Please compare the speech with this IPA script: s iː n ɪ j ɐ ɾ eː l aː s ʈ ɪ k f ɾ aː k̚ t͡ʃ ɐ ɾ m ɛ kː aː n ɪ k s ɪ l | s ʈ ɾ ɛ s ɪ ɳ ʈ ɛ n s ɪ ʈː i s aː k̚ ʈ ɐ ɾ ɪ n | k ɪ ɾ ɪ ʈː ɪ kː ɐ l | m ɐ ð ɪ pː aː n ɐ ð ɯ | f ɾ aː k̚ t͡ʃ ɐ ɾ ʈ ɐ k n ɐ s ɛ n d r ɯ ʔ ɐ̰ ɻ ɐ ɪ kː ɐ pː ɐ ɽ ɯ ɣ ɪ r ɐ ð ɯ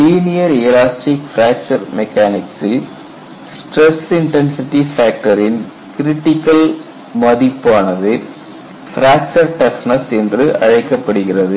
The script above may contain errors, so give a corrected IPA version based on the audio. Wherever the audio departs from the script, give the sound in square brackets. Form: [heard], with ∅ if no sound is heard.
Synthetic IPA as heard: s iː n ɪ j ɐ ɾ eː l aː s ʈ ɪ k f ɾ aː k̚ t͡ʃ ɐ ɾ m ɛ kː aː n ɪ k s ɪ l | s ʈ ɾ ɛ s ɪ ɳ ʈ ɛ n s ɪ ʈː i [f] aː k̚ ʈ ɐ ɾ ɪ n | k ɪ ɾ ɪ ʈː ɪ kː ɐ l | m ɐ ð ɪ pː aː n ɐ ð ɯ | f ɾ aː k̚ t͡ʃ ɐ ɾ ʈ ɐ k n ɐ s ɛ n d r ɯ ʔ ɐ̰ ɻ ɐ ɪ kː ɐ pː ɐ ɽ ɯ ɣ ɪ r ɐ ð ɯ